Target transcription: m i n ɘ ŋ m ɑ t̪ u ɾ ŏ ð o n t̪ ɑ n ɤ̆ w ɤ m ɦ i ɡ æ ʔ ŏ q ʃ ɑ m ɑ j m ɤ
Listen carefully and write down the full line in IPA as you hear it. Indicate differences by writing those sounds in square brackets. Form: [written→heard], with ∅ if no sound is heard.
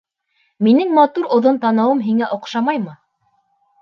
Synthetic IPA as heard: m i n ɘ ŋ m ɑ t̪ u ɾ ŏ ð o n t̪ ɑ n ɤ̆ w ɤ m ɦ i [ɡ→ŋ] æ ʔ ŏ q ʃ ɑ m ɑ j m ɤ